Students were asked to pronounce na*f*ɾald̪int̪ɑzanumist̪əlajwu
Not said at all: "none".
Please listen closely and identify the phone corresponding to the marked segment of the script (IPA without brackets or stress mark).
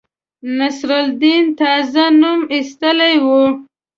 s